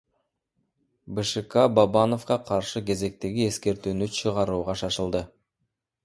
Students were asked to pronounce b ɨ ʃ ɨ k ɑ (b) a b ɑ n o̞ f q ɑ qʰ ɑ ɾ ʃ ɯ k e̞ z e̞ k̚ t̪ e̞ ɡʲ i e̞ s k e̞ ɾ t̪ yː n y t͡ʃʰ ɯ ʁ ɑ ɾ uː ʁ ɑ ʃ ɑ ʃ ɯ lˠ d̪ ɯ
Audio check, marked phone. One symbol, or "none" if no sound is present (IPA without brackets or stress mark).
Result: b